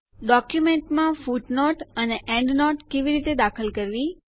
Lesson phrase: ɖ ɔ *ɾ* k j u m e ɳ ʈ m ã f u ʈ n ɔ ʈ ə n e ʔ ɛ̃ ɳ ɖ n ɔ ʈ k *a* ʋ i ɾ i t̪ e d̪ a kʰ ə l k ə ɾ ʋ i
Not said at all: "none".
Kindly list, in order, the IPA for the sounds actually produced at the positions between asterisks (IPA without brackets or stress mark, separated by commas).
none, e